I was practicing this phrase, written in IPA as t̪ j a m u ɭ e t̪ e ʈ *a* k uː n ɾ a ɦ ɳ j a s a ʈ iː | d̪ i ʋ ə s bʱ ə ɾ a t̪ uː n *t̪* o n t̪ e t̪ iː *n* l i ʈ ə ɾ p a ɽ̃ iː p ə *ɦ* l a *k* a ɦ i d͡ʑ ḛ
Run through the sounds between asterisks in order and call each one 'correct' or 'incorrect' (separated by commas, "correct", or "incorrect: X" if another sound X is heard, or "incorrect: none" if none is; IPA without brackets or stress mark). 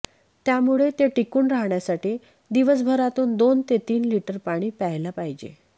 incorrect: i, incorrect: d̪, correct, correct, incorrect: p